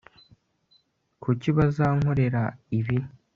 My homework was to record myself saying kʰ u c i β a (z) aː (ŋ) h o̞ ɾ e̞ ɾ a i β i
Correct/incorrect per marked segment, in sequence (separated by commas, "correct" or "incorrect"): correct, correct